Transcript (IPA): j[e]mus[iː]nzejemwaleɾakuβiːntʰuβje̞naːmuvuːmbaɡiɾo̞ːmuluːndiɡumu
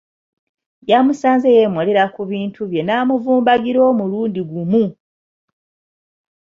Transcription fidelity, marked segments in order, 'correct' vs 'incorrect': incorrect, incorrect

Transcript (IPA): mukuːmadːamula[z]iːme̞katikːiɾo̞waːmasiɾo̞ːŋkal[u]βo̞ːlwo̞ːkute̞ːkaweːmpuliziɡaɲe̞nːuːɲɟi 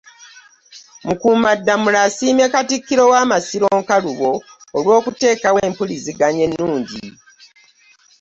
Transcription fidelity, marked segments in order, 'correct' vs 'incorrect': incorrect, correct

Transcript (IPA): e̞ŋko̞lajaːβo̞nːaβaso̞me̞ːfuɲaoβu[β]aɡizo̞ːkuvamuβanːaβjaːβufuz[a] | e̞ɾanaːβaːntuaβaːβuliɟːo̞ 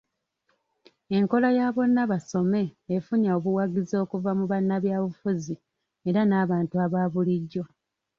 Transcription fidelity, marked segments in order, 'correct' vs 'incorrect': incorrect, incorrect

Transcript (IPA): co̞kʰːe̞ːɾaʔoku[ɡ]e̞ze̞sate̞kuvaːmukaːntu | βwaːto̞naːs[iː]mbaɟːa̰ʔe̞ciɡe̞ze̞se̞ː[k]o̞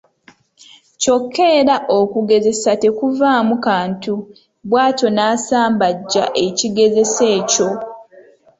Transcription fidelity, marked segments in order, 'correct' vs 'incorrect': correct, incorrect, incorrect

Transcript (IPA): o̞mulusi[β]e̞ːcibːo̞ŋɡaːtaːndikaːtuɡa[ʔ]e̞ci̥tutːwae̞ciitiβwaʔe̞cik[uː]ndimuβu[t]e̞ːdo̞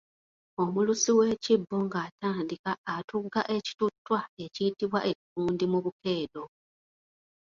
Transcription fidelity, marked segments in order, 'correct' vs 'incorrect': incorrect, correct, correct, incorrect

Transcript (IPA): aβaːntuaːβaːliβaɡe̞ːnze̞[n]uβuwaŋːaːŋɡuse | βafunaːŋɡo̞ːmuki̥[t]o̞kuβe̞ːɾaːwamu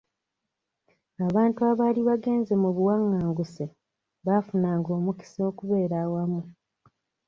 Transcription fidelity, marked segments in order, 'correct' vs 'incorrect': incorrect, incorrect

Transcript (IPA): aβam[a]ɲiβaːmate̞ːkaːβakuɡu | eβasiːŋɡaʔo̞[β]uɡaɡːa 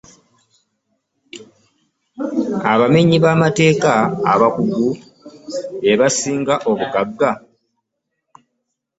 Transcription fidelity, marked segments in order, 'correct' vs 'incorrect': incorrect, correct

